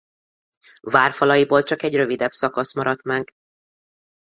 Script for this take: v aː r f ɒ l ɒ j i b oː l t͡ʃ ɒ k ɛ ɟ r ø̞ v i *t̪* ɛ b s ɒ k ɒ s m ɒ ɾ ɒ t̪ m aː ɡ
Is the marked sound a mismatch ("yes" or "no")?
yes